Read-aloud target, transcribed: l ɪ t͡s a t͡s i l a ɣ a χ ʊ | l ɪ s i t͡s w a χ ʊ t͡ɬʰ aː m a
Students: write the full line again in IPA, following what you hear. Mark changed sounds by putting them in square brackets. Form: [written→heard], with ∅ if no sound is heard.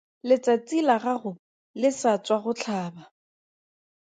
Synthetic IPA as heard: l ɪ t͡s a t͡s i l a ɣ a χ ʊ | l ɪ s [i→a] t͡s w a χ ʊ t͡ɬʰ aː [m→b] a